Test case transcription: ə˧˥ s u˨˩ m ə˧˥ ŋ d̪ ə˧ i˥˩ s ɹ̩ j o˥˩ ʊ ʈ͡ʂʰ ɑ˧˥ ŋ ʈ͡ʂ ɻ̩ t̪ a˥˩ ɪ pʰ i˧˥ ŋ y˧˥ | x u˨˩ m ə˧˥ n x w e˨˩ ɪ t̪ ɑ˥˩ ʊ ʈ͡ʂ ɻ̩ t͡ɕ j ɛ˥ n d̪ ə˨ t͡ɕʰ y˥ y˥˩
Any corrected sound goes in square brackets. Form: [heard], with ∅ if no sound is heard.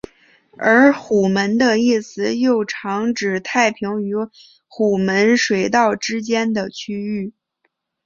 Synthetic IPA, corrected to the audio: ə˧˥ [x] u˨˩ m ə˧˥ [n] d̪ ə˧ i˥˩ s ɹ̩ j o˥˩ ʊ ʈ͡ʂʰ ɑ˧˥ ŋ ʈ͡ʂ ɻ̩ [t̪ʰ] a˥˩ ɪ pʰ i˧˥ ŋ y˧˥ | x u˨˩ m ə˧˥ n [ʂ] w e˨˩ ɪ t̪ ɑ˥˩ ʊ ʈ͡ʂ ɻ̩ t͡ɕ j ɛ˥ n d̪ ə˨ t͡ɕʰ y˥ y˥˩